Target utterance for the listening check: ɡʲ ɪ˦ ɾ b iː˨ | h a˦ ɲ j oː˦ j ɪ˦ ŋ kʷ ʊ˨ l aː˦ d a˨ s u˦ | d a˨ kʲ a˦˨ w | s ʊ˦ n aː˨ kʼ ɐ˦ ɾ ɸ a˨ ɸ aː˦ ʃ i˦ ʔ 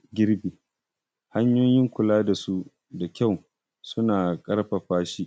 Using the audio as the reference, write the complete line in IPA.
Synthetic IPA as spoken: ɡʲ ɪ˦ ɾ b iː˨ | h a˦ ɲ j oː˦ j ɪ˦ ŋ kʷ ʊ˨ l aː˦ d a˨ s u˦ | d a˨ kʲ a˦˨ w | s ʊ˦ n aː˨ kʼ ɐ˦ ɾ ɸ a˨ ɸ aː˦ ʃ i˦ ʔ

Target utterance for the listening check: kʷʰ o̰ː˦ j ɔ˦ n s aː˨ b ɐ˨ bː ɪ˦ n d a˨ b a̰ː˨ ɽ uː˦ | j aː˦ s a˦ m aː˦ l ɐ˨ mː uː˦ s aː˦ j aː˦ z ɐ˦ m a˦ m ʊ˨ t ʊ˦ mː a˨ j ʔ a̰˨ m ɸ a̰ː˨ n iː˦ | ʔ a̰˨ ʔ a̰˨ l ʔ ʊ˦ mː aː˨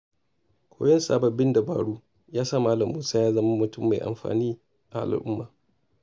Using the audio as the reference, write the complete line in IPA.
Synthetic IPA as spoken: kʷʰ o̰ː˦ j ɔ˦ n s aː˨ b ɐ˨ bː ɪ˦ n d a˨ b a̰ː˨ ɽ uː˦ | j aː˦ s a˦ m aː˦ l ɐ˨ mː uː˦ s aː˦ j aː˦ z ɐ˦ m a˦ m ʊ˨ t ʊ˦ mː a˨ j ʔ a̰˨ m ɸ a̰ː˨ n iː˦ | ʔ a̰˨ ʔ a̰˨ l ʔ ʊ˦ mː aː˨

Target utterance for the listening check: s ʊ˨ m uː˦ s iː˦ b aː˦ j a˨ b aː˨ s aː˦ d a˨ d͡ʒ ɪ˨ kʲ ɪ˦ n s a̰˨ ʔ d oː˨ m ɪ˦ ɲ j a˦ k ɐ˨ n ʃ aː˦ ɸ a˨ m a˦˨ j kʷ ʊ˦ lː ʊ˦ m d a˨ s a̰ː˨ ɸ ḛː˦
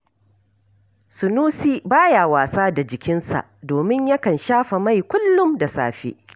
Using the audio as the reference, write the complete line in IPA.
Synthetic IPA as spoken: s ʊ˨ n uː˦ s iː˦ b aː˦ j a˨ w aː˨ s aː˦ d a˨ d͡ʒ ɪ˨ kʲ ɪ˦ n s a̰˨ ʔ d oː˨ m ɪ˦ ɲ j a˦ k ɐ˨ n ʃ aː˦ ɸ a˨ m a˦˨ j kʷ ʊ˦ lː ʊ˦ m d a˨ s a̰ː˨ ɸ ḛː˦

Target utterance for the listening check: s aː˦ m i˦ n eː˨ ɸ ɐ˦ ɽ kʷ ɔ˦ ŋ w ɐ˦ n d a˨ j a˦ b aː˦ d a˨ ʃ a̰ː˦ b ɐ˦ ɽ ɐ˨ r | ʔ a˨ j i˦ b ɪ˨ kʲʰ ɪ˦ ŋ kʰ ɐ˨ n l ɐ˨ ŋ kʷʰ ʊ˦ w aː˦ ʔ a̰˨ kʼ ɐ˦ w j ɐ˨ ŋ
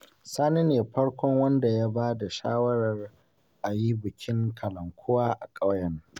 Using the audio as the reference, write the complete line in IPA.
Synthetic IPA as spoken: s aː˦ n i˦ n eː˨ ɸ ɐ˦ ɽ kʷ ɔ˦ ŋ w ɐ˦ n d a˨ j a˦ b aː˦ d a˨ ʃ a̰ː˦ w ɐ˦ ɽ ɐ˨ r | ʔ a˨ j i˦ b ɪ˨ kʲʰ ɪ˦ ŋ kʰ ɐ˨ l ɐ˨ ŋ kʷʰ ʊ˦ w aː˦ ʔ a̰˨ kʼ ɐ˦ w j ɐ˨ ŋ

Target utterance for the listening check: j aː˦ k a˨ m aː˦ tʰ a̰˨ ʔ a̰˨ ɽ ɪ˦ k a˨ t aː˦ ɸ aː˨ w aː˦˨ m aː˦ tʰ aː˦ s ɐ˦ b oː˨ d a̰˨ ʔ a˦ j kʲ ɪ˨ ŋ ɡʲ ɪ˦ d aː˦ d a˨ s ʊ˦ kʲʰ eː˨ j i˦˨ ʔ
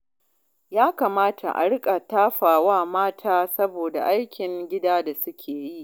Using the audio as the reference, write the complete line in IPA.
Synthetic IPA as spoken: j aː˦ k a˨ m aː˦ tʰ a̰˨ ʔ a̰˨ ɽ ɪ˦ kʼ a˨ t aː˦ ɸ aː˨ w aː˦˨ m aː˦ tʰ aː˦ s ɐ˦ b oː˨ d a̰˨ ʔ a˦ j kʲ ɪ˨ ŋ ɡʲ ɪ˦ d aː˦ d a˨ s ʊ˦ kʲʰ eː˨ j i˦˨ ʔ

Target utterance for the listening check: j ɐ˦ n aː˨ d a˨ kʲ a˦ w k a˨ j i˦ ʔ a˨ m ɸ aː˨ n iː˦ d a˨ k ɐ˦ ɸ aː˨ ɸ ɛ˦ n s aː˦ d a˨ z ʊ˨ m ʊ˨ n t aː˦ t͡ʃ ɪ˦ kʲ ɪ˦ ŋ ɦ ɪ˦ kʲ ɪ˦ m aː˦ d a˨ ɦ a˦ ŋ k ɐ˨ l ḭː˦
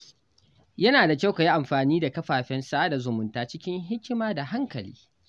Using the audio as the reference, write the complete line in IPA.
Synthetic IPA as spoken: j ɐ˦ n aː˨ d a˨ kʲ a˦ w k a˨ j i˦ ʔ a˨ m ɸ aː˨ n iː˦ d a˨ k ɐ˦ ɸ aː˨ ɸ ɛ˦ n s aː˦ d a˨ z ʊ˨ m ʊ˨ n t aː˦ t͡ʃ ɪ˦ kʲ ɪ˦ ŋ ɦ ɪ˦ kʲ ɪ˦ m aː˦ d a˨ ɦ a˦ ŋ k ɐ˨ l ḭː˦

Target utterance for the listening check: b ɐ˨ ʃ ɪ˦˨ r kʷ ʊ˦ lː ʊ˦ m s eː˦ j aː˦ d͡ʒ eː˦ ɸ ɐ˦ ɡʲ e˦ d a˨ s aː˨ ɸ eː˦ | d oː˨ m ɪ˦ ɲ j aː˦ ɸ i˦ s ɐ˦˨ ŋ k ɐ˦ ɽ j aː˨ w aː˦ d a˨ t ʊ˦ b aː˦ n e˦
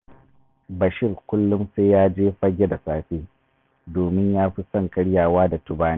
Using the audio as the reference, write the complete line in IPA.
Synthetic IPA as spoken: b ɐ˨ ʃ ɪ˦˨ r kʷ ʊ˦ lː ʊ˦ m s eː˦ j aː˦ d͡ʒ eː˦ ɸ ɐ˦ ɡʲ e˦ d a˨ s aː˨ ɸ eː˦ | d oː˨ m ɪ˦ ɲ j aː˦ ɸ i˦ s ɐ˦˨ ŋ k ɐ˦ ɽ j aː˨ w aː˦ d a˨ t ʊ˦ b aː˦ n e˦

